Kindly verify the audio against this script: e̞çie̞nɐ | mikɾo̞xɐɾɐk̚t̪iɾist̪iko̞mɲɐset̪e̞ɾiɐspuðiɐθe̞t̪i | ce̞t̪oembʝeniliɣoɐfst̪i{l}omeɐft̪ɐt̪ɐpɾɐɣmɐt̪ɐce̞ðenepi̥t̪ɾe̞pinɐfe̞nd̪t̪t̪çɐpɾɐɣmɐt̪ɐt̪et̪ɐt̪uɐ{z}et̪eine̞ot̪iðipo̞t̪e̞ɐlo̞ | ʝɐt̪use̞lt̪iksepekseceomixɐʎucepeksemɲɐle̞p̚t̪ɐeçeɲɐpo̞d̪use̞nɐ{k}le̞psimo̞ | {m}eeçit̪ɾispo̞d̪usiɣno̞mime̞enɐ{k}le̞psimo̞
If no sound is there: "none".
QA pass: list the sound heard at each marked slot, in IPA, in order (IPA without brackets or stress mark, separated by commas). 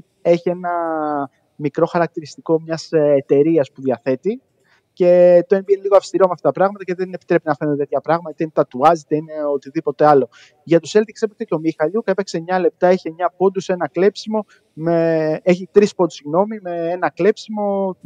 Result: ɾ, z, k, m, k